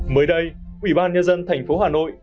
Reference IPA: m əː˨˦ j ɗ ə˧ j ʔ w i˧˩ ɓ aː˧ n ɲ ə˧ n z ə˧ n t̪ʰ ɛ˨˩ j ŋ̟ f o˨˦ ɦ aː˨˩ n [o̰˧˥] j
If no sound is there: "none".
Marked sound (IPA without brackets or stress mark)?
o̰˧˨